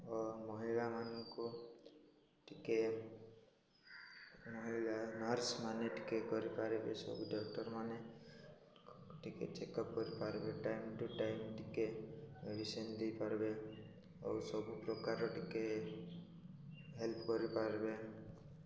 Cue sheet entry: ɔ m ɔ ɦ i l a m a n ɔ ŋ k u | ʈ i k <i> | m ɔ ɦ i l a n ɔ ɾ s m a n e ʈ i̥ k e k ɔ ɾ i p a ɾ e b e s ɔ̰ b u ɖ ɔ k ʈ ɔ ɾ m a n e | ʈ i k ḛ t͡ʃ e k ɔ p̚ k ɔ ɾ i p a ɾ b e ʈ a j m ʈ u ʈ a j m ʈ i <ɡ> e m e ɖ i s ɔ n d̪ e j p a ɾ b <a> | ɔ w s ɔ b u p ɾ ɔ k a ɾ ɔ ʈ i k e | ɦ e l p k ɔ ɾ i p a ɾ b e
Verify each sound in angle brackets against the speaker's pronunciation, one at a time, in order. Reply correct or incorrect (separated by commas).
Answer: incorrect, incorrect, incorrect